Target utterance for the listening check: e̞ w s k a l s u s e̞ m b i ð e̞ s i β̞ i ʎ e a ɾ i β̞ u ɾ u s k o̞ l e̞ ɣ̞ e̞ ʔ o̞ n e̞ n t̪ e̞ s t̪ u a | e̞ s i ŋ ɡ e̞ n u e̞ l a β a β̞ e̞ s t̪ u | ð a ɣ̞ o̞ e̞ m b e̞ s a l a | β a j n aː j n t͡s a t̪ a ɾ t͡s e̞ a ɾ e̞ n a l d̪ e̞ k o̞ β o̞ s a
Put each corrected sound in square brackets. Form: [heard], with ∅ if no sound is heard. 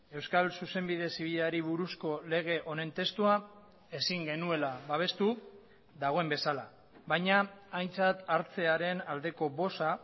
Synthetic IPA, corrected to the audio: e̞ w s k a l s u s e̞ m b i ð e̞ s i β̞ i ʎ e a ɾ i β̞ u ɾ u s k o̞ l e̞ ɣ̞ e̞ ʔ o̞ n e̞ n t̪ e̞ s t̪ u a | e̞ s i ŋ ɡ e̞ n u e̞ l a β a β̞ e̞ s t̪ u | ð a ɣ̞ o̞ e̞ m b e̞ s a l a | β a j [ɲ] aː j n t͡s a t̪ a ɾ t͡s e̞ a ɾ e̞ n a l d̪ e̞ k o̞ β o̞ s a